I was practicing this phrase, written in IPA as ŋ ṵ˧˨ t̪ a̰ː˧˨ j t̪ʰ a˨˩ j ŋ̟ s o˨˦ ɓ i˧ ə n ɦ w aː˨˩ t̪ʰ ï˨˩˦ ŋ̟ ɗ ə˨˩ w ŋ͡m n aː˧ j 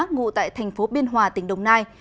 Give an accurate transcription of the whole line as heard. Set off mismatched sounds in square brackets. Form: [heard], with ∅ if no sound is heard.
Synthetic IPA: ŋ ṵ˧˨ t̪ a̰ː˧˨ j t̪ʰ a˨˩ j ŋ̟ [f] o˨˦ ɓ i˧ ə n ɦ w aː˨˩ [t̪] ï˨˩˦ ŋ̟ ɗ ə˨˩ w ŋ͡m n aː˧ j